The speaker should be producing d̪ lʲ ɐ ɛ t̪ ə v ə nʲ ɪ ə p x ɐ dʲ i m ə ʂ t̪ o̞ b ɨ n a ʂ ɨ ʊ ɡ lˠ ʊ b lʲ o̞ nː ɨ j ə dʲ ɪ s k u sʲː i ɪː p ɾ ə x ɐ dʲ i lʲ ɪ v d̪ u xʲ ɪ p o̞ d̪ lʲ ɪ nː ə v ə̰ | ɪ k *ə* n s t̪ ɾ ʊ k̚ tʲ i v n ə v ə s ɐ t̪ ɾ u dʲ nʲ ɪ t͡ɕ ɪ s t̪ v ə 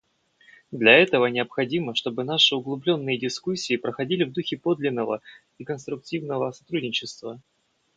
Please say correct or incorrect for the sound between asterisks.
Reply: correct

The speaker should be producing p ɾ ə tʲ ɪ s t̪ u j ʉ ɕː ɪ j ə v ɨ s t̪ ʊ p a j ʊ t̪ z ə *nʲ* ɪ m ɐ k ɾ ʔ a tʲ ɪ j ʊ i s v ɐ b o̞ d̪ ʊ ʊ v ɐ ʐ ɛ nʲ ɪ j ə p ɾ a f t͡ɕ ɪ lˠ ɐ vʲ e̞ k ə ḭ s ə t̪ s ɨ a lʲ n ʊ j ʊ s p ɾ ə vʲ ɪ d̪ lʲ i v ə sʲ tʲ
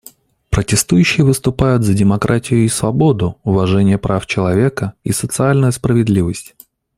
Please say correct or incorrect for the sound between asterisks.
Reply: incorrect: dʲ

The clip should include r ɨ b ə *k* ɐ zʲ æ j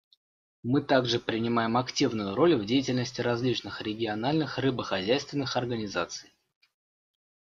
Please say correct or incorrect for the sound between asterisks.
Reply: incorrect: x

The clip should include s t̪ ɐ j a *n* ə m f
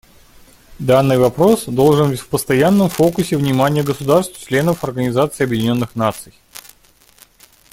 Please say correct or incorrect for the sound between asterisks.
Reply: incorrect: nː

